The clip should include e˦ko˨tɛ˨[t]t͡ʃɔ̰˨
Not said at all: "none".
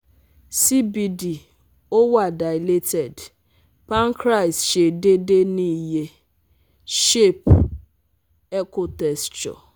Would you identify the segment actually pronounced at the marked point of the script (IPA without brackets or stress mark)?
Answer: s